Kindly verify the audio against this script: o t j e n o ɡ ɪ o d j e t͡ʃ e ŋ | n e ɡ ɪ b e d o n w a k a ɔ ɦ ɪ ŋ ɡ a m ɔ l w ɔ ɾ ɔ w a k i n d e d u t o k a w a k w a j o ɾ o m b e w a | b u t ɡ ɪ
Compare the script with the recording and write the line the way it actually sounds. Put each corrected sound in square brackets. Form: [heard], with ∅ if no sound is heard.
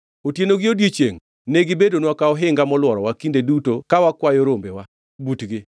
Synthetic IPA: o t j e n o ɡ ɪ o d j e t͡ʃ e ŋ | n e ɡ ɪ b e d o n w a k a ɔ ɦ ɪ ŋ ɡ a m ɔ l w ɔ ɾ ɔ w a k i n d e d u t o k a w a k w a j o ɾ o m b e w a | b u t ɡ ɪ